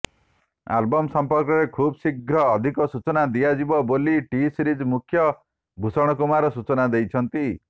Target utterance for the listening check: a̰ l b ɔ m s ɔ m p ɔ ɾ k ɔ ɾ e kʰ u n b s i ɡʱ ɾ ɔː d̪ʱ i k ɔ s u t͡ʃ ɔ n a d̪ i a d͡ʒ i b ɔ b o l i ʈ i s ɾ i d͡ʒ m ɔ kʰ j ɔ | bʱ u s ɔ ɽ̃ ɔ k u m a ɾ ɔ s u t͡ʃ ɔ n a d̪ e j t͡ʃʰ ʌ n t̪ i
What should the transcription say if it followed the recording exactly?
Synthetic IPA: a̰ l b ɔ m s ɔ m p ɔ ɾ k ɔ ɾ e kʰ u b s i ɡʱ ɾ ɔː d̪ʱ i k ɔ s u t͡ʃ ɔ n a d̪ i a d͡ʒ i b ɔ b o l i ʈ i s ɾ i d͡ʒ m u kʰ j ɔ | bʱ u s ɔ ɽ̃ ɔ k u m a ɾ ɔ s u t͡ʃ ɔ n a d̪ e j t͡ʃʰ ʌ n t̪ i